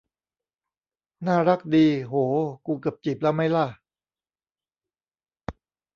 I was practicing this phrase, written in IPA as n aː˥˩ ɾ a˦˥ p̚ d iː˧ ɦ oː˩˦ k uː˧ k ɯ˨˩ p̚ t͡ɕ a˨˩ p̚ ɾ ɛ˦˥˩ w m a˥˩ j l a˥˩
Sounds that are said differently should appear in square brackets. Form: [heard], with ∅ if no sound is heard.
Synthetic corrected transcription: n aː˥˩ ɾ a˦˥ [k̚] d iː˧ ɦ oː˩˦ k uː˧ k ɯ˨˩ p̚ t͡ɕ [i˨˩] p̚ [l] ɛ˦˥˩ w m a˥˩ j l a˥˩